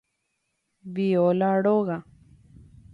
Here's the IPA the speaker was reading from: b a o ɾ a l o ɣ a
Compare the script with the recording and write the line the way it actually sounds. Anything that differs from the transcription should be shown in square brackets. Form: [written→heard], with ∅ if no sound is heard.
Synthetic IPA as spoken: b [a→i] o [ɾ→l] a [l→ɽ] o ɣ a